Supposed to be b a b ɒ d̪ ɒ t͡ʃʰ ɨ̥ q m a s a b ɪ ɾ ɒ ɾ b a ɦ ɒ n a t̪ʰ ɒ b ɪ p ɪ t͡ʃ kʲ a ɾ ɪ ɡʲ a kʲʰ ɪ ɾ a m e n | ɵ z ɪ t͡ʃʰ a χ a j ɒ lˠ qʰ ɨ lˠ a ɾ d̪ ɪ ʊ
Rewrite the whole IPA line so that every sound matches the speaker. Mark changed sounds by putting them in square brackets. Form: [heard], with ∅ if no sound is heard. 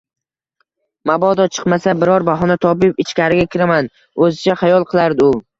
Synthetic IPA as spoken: [m] a b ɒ d̪ ɒ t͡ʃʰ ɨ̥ q m a s a b ɪ ɾ ɒ ɾ b a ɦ ɒ n a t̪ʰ ɒ b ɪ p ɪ t͡ʃ kʲ a ɾ ɪ ɡʲ a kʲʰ ɪ ɾ a m [a] n | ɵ z ɪ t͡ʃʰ a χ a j ɒ lˠ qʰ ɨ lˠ a ɾ d̪ ɪ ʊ